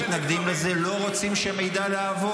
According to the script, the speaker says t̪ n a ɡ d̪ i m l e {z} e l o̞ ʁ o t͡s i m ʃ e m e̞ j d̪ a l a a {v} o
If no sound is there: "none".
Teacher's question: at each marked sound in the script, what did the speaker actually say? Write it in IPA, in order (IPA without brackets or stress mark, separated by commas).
z, v